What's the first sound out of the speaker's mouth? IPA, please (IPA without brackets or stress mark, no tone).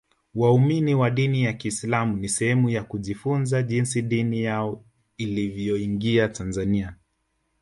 w